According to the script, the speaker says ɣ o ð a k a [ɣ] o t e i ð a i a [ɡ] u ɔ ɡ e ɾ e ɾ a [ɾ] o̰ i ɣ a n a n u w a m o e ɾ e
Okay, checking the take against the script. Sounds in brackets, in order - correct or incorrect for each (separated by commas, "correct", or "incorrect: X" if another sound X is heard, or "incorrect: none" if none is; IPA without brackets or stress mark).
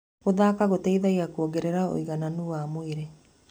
correct, incorrect: k, incorrect: none